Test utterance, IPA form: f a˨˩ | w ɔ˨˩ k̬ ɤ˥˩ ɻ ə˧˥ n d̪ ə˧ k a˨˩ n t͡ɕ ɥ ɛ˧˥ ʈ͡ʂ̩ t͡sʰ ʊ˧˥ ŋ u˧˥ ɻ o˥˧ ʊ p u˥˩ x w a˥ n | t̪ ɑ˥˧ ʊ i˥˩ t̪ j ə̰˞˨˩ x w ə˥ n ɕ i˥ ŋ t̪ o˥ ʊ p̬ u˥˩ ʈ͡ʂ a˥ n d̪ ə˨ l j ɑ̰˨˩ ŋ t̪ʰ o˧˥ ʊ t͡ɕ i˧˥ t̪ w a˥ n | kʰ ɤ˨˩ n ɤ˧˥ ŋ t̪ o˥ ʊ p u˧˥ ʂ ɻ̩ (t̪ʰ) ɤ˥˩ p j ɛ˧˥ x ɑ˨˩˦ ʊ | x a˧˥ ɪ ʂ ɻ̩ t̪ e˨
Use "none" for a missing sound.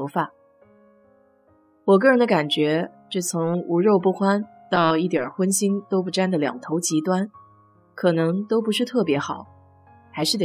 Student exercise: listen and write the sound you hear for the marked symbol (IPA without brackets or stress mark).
t̪ʰ